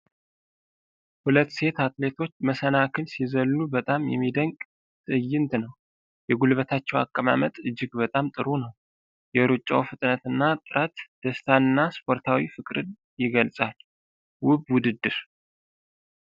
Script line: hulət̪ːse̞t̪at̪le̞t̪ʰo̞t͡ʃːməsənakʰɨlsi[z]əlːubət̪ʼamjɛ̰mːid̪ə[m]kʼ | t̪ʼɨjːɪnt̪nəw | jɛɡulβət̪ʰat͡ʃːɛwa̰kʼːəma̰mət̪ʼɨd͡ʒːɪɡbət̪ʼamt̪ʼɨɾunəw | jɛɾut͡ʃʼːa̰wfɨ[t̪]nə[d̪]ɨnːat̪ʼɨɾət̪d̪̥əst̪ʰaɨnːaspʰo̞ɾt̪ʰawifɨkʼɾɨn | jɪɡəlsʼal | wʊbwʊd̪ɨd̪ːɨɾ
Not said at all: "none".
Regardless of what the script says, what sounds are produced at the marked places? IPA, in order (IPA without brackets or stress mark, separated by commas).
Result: z, ŋ, t̪ʼ, t̪